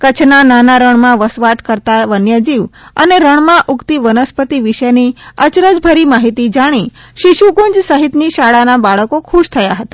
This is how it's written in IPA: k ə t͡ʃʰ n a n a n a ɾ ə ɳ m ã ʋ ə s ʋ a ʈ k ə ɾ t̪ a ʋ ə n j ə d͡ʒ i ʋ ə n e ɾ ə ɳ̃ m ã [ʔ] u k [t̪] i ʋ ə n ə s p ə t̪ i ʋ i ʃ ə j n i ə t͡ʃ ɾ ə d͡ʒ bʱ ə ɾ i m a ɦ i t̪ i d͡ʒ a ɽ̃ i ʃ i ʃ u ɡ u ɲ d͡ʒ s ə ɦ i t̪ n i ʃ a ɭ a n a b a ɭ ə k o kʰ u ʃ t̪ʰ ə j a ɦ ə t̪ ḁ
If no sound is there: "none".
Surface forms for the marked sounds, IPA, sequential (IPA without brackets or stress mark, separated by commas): ʔ, t̪